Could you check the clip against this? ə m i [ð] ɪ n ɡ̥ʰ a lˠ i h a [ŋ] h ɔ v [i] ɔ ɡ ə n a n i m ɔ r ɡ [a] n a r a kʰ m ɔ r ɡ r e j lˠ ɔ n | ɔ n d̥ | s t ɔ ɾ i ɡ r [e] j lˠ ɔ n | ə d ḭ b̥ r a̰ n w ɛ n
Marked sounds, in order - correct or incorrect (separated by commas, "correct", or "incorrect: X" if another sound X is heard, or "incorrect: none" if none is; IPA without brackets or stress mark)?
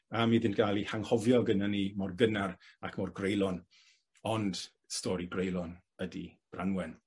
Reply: correct, correct, incorrect: j, incorrect: ə, correct